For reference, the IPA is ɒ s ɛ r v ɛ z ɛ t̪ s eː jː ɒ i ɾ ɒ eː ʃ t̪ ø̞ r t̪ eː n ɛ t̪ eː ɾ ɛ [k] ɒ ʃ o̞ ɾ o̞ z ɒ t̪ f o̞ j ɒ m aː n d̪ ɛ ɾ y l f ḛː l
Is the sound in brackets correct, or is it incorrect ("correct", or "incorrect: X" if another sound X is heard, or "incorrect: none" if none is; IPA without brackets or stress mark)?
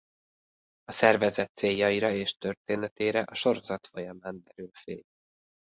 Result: incorrect: ʔ